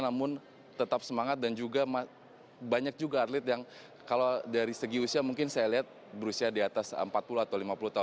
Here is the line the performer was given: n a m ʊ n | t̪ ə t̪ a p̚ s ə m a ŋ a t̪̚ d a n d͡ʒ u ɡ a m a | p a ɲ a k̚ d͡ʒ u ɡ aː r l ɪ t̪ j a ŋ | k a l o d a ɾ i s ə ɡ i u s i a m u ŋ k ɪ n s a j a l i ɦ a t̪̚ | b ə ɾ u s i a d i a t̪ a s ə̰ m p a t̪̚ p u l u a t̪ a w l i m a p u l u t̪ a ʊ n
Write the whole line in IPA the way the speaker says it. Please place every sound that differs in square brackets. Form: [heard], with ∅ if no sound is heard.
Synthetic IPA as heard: n a m ʊ n | t̪ ə t̪ a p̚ s ə m a ŋ a t̪̚ d a n d͡ʒ u ɡ a m a | [b] a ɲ a k̚ d͡ʒ u ɡ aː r l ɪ t̪ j a ŋ | k a l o d a ɾ i s ə ɡ i u s i a m u ŋ k ɪ n s a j a l i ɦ a t̪̚ | b ə ɾ u s i a d i a t̪ a s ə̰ m p a t̪̚ p u l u a t̪ a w l i m a p u l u t̪ a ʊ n